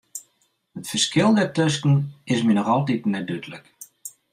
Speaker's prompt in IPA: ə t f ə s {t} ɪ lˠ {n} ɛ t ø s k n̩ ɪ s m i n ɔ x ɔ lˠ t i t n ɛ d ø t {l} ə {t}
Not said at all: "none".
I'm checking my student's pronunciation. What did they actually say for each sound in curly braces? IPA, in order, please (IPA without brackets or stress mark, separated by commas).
k, d, l, k